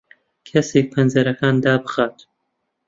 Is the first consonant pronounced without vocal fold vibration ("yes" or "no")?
yes